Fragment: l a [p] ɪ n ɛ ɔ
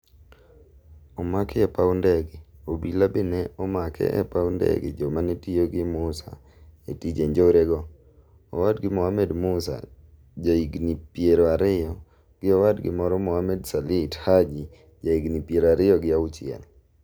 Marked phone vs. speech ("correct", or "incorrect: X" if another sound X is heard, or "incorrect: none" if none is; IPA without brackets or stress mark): incorrect: b